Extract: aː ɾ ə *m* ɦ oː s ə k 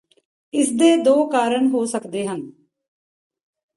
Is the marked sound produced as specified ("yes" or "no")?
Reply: no